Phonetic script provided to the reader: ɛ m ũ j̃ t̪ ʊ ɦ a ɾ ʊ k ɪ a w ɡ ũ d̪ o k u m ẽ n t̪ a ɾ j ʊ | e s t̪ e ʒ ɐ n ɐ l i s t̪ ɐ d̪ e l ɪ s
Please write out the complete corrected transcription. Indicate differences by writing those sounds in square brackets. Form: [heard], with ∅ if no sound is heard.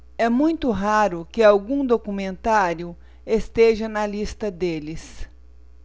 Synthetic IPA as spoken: ɛ m ũ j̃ t̪ ʊ ɦ a ɾ ʊ k ɪ a w ɡ ũ d̪ o k u m ẽ n t̪ a ɾ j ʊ | e s t̪ e ʒ ɐ n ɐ l i s t̪ ɐ d̪ e l ɪ s